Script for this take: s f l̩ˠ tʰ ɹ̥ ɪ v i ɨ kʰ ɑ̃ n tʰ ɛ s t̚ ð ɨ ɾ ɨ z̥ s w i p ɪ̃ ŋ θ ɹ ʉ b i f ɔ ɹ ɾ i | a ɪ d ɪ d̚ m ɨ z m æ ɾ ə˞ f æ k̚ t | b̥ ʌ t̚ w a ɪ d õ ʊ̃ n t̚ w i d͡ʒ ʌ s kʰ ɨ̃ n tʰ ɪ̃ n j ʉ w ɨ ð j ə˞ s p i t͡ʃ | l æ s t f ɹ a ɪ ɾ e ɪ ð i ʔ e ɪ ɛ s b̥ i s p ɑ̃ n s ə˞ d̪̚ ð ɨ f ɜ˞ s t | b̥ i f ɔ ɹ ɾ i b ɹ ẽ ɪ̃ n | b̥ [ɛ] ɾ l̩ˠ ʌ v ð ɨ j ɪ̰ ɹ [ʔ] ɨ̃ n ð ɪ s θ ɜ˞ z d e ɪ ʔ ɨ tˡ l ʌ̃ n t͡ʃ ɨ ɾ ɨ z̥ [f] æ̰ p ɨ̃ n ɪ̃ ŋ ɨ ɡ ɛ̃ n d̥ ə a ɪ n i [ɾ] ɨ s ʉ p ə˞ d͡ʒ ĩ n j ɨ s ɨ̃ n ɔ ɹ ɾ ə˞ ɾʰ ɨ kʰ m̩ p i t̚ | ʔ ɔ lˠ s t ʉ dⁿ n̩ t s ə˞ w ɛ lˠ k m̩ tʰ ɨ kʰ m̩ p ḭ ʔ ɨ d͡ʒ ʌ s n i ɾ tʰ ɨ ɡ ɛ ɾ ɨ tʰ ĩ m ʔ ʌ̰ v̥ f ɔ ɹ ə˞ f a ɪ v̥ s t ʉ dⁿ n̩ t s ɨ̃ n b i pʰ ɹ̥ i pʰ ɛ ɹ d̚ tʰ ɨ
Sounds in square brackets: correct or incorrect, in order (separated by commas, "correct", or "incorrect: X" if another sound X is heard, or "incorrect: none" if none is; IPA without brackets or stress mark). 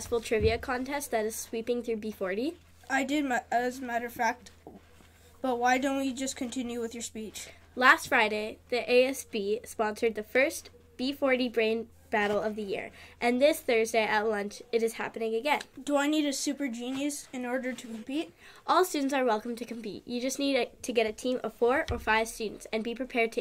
incorrect: æ, correct, incorrect: h, correct